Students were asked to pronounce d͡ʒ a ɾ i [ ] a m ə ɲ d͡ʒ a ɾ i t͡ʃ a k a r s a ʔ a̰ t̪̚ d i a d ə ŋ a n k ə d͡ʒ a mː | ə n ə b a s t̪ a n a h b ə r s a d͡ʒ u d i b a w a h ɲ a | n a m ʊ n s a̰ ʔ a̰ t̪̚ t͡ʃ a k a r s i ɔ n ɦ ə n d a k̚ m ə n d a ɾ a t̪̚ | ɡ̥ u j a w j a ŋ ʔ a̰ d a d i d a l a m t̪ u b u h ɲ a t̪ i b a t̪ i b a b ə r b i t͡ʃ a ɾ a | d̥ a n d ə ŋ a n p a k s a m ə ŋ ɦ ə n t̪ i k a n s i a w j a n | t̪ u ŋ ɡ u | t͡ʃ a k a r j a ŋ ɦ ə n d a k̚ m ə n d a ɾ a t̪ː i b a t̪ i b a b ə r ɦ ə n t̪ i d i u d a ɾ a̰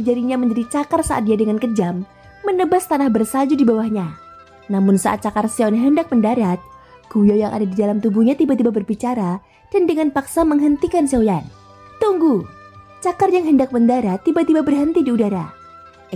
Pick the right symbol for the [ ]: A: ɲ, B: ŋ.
A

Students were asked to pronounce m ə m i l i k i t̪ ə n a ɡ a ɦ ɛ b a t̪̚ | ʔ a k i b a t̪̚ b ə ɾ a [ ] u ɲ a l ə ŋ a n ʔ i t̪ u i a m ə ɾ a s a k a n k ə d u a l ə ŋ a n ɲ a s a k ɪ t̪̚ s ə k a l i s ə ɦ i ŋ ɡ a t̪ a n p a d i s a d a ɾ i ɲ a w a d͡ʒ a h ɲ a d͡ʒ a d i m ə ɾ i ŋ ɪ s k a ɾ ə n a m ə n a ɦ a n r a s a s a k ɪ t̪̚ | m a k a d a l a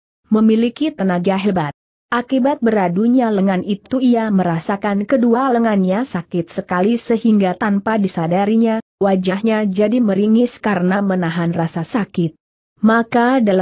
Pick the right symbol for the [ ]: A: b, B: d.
B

